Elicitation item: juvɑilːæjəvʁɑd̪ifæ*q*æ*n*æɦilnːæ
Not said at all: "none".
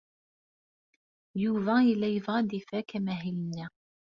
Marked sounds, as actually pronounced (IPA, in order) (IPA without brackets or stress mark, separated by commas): k, m